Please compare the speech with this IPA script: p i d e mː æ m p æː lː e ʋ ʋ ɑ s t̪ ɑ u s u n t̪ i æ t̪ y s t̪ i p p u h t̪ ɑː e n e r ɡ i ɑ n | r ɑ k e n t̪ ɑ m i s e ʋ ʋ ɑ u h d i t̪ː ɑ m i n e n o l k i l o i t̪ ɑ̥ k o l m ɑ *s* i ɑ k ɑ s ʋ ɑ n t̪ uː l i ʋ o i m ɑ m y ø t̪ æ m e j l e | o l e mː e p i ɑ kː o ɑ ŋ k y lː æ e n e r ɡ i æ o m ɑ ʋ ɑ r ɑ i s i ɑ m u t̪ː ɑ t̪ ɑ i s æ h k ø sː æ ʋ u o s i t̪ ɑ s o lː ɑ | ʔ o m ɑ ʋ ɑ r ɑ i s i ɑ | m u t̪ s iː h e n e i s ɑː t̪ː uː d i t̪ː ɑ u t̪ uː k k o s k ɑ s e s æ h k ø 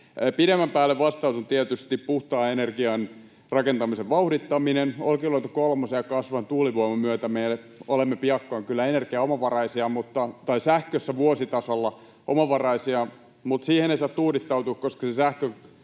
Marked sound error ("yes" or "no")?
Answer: no